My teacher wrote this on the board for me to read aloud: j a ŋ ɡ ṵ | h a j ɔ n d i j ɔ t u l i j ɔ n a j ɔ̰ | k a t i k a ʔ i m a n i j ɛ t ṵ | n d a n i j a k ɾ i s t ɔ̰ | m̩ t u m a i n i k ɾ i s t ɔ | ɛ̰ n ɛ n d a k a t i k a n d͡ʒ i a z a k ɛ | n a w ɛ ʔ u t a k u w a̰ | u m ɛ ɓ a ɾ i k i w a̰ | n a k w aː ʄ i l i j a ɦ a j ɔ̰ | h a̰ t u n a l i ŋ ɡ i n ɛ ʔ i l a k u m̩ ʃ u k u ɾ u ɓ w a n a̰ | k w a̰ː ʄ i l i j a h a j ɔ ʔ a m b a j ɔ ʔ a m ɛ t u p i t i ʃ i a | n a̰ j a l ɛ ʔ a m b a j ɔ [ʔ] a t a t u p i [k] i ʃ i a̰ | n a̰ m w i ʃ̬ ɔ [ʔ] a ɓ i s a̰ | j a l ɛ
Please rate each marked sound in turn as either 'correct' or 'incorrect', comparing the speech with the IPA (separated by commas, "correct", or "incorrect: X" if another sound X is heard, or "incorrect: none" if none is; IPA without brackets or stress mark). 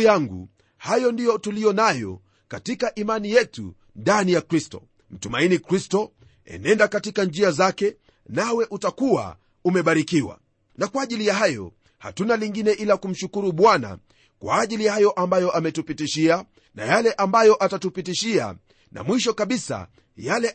correct, incorrect: t, incorrect: k